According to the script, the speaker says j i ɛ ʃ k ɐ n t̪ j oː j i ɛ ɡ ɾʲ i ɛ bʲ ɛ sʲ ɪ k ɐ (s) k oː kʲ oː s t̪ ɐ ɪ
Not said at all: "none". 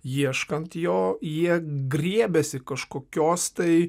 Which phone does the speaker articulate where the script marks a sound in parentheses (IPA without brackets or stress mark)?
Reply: ʃ